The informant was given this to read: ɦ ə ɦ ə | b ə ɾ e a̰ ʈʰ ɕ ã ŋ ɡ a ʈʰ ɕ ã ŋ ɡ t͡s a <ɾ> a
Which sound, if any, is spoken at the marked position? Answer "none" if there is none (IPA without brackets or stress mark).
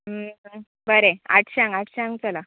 l